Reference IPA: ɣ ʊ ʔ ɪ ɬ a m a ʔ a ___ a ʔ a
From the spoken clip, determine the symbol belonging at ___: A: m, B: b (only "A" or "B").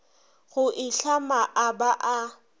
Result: B